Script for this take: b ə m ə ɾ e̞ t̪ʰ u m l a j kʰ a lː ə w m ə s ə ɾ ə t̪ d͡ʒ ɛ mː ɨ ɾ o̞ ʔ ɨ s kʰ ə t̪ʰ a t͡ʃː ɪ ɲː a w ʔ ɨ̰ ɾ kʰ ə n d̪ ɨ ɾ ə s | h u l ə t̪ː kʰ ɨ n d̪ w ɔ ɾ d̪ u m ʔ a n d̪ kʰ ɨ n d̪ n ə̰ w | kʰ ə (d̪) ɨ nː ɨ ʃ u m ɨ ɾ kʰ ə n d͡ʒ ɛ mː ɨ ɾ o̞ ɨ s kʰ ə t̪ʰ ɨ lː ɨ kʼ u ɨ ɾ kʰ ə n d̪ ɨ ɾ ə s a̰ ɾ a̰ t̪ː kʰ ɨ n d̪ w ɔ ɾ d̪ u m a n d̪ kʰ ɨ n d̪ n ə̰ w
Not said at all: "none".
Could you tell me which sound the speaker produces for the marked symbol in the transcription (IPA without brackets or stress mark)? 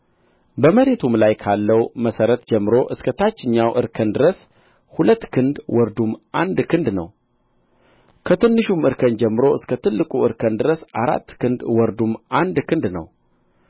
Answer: t̪